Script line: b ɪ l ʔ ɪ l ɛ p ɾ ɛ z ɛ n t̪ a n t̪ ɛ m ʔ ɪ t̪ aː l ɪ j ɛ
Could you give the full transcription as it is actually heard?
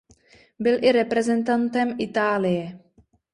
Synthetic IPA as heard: b ɪ l ʔ ɪ ɾ ɛ p ɾ ɛ z ɛ n t̪ a n t̪ ɛ m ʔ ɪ t̪ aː l ɪ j ɛ